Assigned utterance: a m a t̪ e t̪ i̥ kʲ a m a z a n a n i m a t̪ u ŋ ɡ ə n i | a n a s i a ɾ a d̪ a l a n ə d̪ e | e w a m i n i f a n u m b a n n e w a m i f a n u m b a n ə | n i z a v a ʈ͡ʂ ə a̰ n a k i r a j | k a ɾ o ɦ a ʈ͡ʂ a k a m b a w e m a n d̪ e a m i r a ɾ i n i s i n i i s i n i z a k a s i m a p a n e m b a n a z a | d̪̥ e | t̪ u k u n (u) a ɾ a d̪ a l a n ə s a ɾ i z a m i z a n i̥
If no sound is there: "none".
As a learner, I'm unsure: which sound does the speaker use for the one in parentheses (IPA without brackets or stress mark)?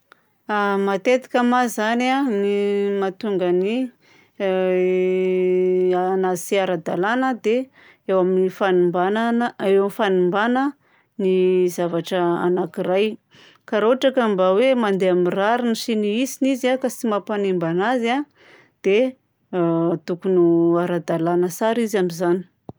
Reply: u